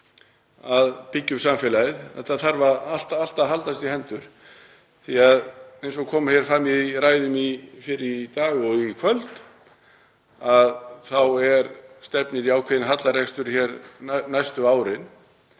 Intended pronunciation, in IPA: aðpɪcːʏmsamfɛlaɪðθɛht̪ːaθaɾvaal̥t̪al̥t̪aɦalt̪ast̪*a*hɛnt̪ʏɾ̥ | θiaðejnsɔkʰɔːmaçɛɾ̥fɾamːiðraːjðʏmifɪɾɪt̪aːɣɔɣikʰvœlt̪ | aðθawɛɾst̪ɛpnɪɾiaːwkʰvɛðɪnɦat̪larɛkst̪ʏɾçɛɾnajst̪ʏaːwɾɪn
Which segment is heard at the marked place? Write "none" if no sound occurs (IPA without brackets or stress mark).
i